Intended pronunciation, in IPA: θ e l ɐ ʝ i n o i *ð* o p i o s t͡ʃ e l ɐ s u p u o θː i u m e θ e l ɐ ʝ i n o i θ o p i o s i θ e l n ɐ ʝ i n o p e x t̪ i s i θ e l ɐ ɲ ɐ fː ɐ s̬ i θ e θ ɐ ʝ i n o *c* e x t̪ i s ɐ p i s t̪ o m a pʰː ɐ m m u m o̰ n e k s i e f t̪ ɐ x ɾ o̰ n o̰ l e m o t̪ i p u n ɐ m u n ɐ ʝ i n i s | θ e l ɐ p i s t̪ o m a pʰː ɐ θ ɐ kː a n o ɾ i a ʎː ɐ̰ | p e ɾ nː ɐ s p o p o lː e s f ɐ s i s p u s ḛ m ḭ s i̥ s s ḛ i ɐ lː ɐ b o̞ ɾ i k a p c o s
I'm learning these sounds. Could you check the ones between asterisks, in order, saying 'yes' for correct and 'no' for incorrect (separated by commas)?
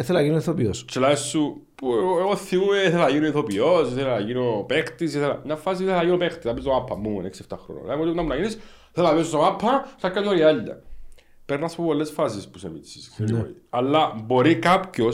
no, no